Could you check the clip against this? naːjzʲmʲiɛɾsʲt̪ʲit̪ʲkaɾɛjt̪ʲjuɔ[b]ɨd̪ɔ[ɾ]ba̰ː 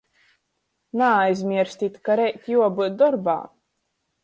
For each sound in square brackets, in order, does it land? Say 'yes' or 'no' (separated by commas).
yes, yes